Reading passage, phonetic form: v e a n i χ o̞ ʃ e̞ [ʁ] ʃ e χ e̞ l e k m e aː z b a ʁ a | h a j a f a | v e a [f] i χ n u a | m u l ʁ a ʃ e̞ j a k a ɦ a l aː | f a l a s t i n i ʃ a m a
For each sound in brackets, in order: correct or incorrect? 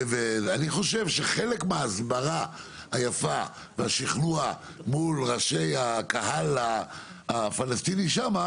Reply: incorrect, incorrect

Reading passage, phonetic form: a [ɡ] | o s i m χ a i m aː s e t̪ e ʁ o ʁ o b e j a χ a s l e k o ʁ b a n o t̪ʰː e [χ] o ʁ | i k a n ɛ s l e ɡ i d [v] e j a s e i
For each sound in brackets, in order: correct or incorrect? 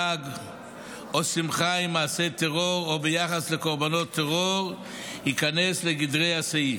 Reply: correct, incorrect, incorrect

